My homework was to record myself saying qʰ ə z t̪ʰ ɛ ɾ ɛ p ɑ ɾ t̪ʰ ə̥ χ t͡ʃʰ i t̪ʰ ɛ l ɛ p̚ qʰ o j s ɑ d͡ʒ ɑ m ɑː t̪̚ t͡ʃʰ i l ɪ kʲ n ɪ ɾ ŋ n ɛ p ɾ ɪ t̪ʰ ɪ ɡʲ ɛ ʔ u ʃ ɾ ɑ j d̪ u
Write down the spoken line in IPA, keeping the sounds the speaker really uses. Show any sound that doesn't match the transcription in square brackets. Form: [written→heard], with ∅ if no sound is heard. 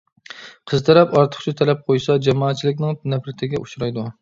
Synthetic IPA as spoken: qʰ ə z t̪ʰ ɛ ɾ ɛ p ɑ ɾ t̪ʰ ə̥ χ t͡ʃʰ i t̪ʰ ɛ l ɛ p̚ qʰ o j s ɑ d͡ʒ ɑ m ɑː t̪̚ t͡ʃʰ i l ɪ kʲ n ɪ [ɾ→∅] ŋ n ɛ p ɾ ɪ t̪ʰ ɪ ɡʲ ɛ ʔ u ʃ ɾ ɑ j d̪ u

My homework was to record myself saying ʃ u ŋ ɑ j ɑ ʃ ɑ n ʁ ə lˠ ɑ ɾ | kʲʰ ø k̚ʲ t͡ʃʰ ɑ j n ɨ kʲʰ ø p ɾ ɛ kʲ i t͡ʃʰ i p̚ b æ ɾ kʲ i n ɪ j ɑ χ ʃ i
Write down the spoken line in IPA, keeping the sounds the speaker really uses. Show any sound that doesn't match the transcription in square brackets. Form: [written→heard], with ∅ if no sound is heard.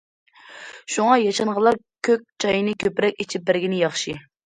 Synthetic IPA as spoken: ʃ u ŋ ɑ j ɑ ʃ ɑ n ʁ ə lˠ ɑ ɾ | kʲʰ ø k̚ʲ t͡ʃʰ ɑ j n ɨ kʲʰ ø p ɾ ɛ kʲ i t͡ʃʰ i p̚ b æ ɾ [kʲ→ɡʲ] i n ɪ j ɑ χ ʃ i

